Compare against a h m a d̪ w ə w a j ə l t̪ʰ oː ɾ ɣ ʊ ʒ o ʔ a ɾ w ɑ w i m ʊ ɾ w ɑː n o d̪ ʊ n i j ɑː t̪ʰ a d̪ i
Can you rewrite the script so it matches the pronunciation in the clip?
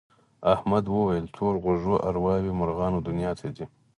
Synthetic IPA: a h m a d̪ w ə w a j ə l t̪ʰ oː ɾ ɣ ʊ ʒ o ʔ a ɾ w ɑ w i m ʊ ɾ ɣ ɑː n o d̪ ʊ n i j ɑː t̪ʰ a d̪ i